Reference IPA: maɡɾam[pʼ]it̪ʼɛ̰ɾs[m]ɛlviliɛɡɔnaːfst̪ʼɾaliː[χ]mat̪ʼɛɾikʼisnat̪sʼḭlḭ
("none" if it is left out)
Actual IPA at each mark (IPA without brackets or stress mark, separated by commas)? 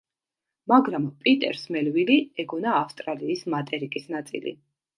pʼ, m, s